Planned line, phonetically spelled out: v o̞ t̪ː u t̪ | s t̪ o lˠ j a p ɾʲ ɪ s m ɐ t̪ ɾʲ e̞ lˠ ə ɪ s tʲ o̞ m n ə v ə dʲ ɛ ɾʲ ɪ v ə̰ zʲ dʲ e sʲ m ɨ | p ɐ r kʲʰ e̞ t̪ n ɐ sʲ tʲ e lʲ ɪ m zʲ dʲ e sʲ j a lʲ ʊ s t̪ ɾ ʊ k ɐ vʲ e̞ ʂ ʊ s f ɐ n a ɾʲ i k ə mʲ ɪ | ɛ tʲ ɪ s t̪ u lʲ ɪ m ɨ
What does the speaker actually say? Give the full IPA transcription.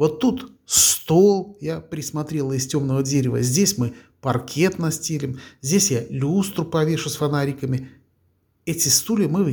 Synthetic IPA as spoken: v o̞ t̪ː u t̪ | s t̪ o lˠ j a p ɾʲ ɪ s m ɐ t̪ ɾʲ e̞ lˠ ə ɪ s tʲ o̞ m n ə v ə dʲ e ɾʲ ɪ v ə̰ zʲ dʲ e sʲ m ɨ | p ɐ r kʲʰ e̞ t̪ n ɐ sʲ tʲ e lʲ ɪ m zʲ dʲ e sʲ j a lʲ u s t̪ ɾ ʊ p ɐ vʲ e̞ ʂ ʊ s f ɐ n a ɾʲ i k ə mʲ ɪ | ɛ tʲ ɪ s t̪ u lʲ ɪ m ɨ